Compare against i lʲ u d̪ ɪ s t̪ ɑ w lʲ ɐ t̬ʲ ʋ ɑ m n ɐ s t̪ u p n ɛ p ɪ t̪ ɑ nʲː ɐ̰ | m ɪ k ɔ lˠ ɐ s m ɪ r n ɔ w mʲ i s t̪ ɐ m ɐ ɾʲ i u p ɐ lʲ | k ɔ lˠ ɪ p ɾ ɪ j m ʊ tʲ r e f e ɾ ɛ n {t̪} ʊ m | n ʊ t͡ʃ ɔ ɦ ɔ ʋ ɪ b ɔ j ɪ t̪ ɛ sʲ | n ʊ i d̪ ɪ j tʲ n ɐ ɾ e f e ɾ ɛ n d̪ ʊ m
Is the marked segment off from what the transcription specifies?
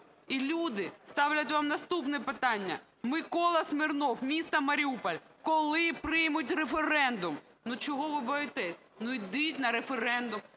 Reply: yes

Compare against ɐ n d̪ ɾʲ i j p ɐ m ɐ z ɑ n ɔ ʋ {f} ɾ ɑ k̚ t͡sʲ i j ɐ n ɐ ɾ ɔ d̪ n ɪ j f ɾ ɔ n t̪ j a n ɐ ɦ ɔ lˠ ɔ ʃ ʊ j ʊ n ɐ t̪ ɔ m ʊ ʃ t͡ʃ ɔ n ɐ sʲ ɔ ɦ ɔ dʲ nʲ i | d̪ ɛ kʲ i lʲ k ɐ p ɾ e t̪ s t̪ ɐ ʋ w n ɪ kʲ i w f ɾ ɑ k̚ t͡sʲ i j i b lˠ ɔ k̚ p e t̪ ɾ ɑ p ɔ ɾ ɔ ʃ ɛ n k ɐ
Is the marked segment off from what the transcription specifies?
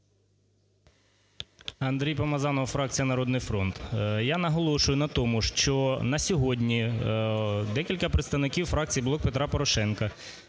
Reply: no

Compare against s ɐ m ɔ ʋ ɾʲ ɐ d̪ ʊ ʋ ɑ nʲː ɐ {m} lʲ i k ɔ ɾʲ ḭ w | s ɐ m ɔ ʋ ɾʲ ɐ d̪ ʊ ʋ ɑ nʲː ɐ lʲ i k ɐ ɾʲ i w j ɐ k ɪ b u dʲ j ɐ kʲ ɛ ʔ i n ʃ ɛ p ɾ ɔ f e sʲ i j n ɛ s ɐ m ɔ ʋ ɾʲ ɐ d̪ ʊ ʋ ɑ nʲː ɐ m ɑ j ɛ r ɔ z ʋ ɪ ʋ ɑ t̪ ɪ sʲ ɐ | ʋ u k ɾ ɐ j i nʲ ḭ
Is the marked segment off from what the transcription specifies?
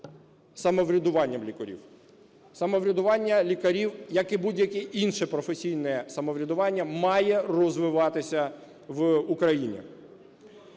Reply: no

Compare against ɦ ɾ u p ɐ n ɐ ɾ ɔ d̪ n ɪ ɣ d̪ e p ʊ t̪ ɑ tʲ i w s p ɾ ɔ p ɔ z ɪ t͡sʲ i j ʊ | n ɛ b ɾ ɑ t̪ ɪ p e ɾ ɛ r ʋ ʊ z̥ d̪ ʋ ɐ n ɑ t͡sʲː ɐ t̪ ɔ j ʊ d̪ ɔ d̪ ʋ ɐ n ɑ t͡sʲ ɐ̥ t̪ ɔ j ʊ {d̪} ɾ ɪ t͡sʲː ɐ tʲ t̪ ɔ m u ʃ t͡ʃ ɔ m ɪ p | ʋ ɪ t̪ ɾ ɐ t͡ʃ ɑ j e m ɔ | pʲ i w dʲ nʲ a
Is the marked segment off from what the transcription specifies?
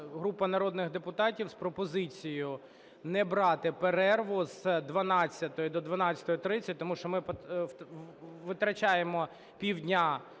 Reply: yes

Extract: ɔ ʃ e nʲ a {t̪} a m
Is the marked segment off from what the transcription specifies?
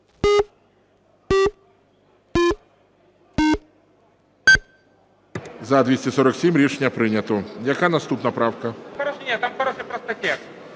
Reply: no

